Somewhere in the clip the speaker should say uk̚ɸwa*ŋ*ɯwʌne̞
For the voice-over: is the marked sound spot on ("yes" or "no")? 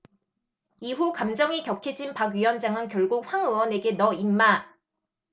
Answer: yes